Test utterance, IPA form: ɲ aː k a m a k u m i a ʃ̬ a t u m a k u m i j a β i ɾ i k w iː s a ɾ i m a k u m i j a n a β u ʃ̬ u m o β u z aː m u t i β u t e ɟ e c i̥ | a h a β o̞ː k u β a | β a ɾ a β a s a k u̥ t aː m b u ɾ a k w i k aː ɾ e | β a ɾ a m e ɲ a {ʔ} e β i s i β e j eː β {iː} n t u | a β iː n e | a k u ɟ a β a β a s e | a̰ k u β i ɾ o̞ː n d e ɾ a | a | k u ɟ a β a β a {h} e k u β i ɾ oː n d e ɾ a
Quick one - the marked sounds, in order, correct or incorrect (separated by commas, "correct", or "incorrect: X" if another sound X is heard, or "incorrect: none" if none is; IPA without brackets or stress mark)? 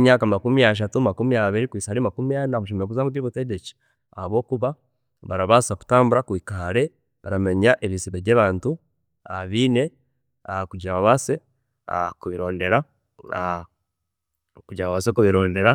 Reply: correct, incorrect: aː, incorrect: s